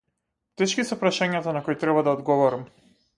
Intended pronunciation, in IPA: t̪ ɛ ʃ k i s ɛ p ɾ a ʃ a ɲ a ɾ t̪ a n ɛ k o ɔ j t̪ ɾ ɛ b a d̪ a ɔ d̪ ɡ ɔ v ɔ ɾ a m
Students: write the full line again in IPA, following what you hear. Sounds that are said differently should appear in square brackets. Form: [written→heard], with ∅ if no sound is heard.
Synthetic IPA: t̪ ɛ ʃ k i s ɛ p ɾ a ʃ a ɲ a [ɾ→∅] t̪ a n [ɛ→a] k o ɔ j t̪ ɾ ɛ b a d̪ a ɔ d̪ ɡ ɔ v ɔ ɾ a m